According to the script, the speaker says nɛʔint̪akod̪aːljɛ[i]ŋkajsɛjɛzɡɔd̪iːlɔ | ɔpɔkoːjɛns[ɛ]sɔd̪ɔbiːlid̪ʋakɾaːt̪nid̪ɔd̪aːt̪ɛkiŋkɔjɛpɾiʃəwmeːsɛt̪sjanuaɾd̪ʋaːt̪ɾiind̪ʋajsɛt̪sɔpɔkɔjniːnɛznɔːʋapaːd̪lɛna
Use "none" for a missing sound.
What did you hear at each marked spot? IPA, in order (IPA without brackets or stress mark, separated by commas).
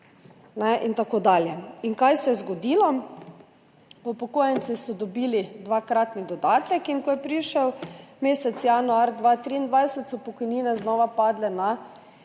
i, i